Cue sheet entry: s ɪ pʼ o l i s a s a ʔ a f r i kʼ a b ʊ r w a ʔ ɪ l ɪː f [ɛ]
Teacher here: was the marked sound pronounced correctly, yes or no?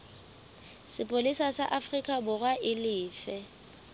yes